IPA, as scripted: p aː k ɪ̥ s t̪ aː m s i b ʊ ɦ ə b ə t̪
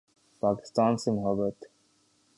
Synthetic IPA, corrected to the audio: p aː k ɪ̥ s t̪ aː n s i m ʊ ɦ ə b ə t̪